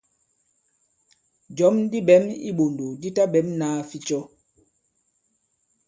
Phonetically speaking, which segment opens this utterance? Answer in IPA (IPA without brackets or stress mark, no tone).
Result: d͡ʒ